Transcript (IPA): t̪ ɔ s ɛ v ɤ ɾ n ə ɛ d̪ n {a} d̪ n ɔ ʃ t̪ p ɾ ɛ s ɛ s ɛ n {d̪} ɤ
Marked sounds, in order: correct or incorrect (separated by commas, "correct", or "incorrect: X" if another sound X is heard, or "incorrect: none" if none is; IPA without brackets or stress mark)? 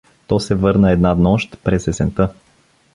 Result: correct, incorrect: t̪